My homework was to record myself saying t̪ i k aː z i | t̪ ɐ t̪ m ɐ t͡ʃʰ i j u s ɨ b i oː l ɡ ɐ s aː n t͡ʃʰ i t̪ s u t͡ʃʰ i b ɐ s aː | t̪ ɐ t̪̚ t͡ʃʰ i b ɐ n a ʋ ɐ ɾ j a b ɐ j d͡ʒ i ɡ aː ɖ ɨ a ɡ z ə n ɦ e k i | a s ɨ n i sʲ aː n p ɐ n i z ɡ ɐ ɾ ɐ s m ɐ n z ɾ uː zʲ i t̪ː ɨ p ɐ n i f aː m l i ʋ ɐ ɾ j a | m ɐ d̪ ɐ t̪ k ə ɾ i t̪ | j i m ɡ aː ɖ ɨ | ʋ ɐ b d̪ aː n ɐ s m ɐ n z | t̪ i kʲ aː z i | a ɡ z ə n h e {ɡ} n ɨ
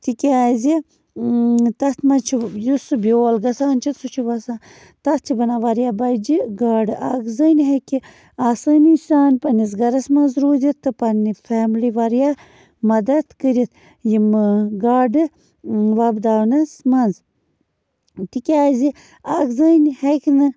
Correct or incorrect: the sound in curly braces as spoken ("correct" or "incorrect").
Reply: incorrect